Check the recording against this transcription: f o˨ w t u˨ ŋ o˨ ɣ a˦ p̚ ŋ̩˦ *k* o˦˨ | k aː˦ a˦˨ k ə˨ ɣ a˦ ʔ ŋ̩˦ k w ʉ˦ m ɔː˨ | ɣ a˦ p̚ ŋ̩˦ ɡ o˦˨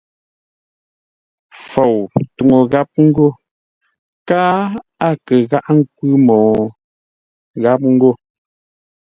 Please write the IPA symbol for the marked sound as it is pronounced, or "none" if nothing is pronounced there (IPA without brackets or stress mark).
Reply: ɡ